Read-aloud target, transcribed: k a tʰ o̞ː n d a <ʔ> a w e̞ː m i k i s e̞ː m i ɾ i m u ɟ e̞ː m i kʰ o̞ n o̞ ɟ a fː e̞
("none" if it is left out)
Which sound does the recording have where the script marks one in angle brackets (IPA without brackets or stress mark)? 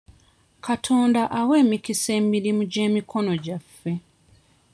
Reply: ʔ